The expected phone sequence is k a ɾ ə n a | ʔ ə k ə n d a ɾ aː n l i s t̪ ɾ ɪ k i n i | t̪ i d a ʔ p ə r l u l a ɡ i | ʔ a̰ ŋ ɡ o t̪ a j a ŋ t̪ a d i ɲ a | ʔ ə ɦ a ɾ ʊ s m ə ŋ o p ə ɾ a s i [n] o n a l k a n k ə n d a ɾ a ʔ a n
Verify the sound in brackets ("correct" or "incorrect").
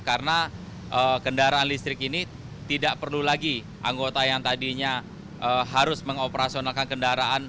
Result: incorrect